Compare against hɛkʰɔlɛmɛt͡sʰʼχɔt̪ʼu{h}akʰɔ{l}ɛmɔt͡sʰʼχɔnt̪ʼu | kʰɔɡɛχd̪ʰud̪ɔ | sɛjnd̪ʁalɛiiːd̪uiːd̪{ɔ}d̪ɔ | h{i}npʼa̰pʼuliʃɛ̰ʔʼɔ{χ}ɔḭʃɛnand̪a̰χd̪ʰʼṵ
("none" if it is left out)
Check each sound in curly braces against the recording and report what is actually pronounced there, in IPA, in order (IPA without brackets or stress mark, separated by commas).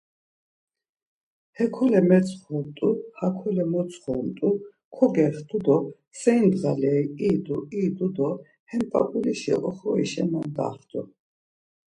h, l, u, ɛ, χ